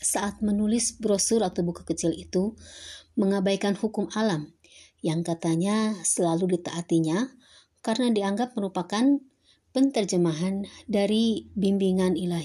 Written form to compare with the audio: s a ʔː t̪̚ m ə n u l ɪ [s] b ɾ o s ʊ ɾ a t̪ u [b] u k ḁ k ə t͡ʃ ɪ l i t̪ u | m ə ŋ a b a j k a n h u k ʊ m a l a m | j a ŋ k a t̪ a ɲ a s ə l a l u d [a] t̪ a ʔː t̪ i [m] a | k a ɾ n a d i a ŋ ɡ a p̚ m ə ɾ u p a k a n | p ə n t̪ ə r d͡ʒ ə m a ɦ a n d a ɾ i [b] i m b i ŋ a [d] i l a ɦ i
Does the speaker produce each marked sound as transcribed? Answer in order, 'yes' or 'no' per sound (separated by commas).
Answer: yes, yes, no, no, yes, no